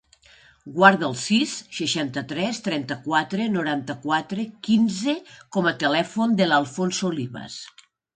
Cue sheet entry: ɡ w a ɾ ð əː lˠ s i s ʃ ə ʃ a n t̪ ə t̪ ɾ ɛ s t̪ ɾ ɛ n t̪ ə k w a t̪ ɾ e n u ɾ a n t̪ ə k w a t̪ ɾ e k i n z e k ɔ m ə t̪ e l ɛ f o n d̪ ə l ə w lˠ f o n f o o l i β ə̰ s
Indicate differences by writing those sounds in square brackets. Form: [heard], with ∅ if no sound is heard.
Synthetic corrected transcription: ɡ w a ɾ ð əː lˠ s i s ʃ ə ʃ a n t̪ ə t̪ ɾ ɛ s t̪ ɾ ɛ n t̪ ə k w a t̪ ɾ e n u ɾ a n t̪ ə k w a t̪ ɾ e k i n z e k ɔ m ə t̪ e l ɛ f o n d̪ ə l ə [∅] lˠ f o n [s] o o l i β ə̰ s